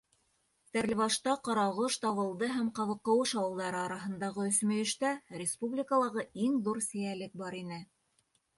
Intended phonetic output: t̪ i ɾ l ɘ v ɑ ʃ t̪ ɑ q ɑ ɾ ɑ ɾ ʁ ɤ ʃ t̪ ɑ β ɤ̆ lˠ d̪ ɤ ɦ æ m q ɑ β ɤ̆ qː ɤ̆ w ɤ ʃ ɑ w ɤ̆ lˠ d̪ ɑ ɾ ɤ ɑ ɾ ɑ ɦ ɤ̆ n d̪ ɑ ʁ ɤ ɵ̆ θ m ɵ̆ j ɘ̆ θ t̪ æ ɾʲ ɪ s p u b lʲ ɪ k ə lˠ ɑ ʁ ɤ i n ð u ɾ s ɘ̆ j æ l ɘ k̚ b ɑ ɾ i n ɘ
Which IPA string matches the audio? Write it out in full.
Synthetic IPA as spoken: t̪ æ ɾ l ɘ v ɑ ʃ t̪ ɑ q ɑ ɾ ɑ ʁ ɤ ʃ t̪ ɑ β ɤ̆ lˠ d̪ ɤ ɦ æ m q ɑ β ɤ̆ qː ɤ̆ w ɤ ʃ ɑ w ɤ̆ lˠ d̪ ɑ ɾ ɤ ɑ ɾ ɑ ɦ ɤ̆ n d̪ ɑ ʁ ɤ ɵ̆ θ m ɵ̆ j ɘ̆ ʃ t̪ æ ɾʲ ɪ s p u b lʲ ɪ k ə lˠ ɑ ʁ ɤ i ŋ ð u ɾ s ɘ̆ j æ l ɘ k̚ b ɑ ɾ i n ɘ